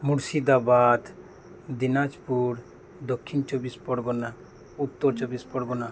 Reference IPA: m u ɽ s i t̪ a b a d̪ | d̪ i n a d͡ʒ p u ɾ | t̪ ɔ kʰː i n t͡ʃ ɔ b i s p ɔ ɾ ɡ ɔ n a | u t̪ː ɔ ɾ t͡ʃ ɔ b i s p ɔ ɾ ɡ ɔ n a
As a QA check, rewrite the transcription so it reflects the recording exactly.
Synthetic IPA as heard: m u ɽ s i d̪ a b a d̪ | d̪ i n a d͡ʒ p u ɾ | d̪ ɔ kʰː i n t͡ʃ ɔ b i s p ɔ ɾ ɡ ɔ n a | u t̪ː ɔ ɾ t͡ʃ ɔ b i s p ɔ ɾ ɡ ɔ n a